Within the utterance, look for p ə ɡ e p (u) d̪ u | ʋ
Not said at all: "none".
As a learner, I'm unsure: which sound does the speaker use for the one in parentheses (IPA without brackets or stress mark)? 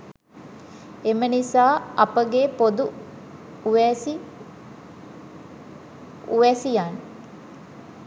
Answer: o